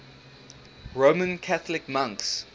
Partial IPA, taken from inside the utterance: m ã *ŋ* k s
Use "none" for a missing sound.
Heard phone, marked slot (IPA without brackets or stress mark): ŋ